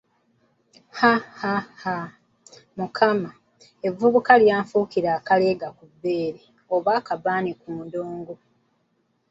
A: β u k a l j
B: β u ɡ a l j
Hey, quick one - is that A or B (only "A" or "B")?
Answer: A